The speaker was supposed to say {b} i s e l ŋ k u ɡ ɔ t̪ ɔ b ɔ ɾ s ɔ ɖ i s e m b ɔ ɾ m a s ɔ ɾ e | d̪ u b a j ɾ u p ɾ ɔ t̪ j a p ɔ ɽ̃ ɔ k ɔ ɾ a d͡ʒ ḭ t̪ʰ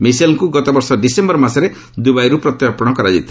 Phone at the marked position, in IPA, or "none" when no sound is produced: m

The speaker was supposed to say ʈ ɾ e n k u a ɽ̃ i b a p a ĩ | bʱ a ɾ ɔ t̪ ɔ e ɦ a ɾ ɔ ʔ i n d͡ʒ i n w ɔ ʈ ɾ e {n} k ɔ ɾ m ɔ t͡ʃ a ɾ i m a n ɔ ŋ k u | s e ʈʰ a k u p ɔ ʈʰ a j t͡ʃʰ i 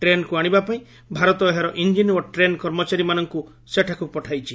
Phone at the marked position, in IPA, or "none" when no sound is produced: n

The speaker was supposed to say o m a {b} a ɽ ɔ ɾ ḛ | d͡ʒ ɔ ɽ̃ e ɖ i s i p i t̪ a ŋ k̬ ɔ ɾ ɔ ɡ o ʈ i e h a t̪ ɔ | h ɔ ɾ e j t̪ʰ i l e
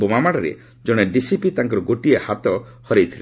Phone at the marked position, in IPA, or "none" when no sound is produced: m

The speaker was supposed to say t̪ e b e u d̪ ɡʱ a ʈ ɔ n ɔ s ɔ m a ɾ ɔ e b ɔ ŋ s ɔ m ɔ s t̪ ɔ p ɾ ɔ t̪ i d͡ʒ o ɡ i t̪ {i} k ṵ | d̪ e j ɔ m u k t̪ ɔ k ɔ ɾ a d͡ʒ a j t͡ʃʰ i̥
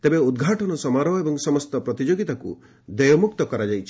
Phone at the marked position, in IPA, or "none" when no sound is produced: a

